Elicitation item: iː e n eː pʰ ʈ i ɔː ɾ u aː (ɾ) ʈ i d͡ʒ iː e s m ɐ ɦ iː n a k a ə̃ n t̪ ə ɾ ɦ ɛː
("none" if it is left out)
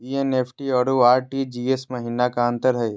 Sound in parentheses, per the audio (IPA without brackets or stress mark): ɾ